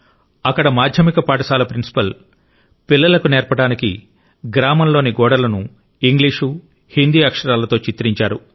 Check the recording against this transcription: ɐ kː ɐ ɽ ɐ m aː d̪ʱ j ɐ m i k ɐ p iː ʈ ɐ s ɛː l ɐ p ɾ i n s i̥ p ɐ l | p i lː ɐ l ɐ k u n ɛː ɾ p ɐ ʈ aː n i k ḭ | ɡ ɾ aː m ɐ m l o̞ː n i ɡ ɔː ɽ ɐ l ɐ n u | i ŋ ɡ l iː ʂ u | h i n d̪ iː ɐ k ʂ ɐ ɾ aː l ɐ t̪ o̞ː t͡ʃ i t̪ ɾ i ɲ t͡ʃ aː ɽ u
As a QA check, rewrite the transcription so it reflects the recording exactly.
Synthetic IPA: ɐ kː ɐ ɽ ɐ m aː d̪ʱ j ɐ m i k ɐ p aː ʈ ɐ s aː l ɐ p ɾ i n s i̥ p ɐ l | p i lː ɐ l ɐ k u n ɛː ɾ p ɐ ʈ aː n i k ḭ | ɡ ɾ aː m ɐ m l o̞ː n i ɡ ɔː ɽ ɐ l ɐ n u | i ŋ ɡ l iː ʂ u | h i n d̪ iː ɐ k ʂ ɐ ɾ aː l ɐ t̪ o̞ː t͡ʃ i t̪ ɾ i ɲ t͡ʃ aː ɾ u